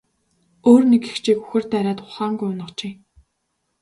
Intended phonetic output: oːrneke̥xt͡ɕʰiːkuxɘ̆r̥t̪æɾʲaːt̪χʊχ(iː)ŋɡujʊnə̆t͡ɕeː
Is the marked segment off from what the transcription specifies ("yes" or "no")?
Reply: yes